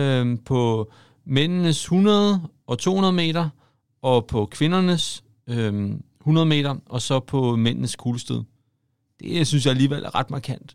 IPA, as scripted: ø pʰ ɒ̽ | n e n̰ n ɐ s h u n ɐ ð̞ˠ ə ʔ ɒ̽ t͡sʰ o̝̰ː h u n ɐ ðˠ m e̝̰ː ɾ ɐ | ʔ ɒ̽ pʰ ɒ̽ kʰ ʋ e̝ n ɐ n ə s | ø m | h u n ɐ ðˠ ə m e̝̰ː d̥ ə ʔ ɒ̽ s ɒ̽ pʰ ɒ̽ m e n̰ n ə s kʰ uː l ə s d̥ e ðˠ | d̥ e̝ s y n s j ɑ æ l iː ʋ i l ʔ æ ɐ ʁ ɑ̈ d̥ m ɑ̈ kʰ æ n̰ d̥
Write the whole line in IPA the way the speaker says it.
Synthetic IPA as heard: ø pʰ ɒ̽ | m e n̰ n ə s h u n ɐ ð̞ˠ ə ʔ ɒ̽ t͡sʰ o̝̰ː h u n ɐ ðˠ m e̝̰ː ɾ ɐ | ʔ ɒ̽ pʰ ɒ̽ kʰ ʋ e̝ n ɐ n ə s | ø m | h u n ɐ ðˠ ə m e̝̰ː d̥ ɐ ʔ ɒ̽ s ɒ̽ pʰ ɒ̽ m e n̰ n ə s kʰ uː l ə s d̥ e ðˠ | d̥ e̝ s y n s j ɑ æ l iː ʋ e l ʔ æ ɐ ʁ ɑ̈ d̥ m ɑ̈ kʰ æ n̰ d̥